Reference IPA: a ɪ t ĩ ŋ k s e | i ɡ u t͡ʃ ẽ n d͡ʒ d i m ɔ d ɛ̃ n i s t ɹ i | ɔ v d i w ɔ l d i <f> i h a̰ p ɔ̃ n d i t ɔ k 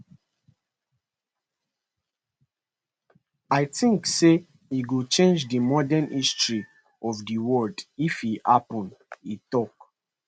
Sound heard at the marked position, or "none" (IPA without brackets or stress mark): f